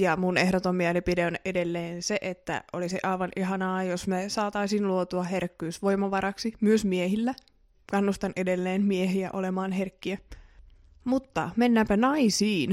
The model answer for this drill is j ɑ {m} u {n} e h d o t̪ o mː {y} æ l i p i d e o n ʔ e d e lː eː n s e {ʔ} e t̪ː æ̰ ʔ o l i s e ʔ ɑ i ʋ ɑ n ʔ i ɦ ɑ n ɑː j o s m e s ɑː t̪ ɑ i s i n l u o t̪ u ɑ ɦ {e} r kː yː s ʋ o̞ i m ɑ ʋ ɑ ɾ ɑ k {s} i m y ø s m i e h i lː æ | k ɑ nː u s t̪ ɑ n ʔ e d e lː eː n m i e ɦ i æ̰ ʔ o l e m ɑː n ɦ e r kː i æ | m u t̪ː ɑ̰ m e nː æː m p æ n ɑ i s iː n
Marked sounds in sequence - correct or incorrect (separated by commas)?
correct, correct, incorrect, correct, correct, correct